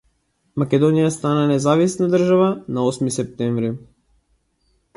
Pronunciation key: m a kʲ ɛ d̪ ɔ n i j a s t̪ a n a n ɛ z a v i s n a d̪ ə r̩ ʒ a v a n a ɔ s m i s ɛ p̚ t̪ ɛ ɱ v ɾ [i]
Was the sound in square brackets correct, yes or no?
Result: yes